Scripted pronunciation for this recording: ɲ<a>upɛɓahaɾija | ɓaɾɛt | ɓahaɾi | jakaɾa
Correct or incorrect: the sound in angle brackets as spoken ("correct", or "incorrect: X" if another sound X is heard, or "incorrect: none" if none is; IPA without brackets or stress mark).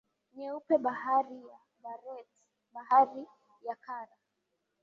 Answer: incorrect: ɛ